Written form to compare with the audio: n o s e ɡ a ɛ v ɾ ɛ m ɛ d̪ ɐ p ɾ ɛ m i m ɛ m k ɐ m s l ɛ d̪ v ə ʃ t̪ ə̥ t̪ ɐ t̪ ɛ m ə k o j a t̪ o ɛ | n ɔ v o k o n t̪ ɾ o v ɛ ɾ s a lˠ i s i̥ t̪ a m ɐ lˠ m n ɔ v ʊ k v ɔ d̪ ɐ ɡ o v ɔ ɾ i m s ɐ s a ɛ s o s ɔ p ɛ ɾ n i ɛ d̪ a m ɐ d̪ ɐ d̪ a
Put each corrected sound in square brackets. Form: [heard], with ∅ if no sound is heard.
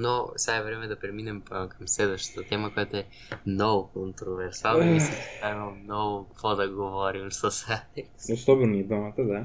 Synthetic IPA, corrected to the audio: n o s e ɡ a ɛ v ɾ ɛ m ɛ d̪ ɐ p ɾ ɛ m i [n] ɛ m k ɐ m s l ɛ d̪ v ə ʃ t̪ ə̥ t̪ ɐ t̪ ɛ m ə k o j a t̪ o ɛ | n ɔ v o k o n t̪ ɾ o v ɛ ɾ s a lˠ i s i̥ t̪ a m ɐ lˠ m n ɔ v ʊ k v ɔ d̪ ɐ ɡ o v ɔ ɾ i m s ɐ s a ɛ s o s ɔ [b] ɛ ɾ n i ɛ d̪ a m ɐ [t̪] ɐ d̪ a